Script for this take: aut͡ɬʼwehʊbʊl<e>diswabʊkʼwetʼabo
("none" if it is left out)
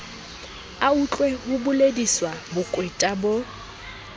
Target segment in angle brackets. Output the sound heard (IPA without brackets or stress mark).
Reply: e